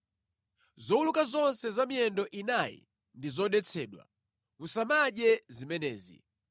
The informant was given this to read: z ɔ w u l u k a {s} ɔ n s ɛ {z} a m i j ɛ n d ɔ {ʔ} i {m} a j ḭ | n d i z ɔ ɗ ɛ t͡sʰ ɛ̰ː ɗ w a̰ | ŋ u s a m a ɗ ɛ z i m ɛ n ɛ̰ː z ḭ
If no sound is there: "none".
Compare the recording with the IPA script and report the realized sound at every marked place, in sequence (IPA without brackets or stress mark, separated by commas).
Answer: z, z, ʔ, n